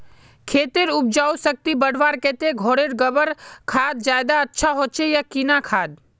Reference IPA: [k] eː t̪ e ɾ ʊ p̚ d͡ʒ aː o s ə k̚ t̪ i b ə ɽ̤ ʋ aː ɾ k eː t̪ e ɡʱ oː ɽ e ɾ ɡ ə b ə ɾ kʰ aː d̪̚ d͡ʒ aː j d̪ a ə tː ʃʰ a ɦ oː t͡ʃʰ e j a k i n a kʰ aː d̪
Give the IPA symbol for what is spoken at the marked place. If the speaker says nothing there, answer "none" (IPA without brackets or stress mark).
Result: kʰ